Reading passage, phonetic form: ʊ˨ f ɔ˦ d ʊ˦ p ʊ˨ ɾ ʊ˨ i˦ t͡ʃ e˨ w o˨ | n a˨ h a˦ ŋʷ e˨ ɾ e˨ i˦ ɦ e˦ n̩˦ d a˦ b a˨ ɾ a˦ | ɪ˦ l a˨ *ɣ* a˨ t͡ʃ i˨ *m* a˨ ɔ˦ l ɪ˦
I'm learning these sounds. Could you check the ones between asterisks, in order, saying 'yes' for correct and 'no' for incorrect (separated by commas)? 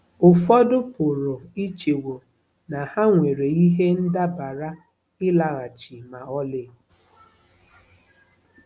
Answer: yes, yes